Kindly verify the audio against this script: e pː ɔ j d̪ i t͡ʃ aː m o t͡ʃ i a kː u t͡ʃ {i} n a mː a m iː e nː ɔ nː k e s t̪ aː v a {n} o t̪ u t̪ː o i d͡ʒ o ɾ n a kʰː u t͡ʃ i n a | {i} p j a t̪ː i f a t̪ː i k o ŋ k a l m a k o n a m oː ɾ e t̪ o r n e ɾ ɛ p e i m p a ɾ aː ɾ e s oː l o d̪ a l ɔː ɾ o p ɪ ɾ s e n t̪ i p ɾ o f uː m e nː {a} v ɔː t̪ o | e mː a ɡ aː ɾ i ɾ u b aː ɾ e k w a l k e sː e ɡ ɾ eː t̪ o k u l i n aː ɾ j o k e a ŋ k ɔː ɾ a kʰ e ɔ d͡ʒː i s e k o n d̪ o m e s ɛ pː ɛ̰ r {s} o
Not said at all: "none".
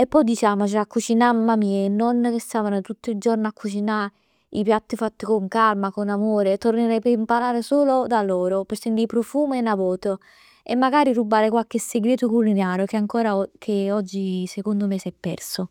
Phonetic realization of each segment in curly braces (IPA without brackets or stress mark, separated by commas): i, n, i, a, s